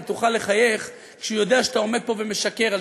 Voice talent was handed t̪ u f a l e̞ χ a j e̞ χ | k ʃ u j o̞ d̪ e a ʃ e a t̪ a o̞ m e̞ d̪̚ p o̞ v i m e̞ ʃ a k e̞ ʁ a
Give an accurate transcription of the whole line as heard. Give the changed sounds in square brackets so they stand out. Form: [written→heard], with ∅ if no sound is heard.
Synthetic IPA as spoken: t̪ u [f→χ] a l e̞ χ a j e̞ χ | k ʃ u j o̞ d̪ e a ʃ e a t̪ a o̞ m e̞ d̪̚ p o̞ v [i→e] m e̞ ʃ a k e̞ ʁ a